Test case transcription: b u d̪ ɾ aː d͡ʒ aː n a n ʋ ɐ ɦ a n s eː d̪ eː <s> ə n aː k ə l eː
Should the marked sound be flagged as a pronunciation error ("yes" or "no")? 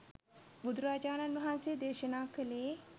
yes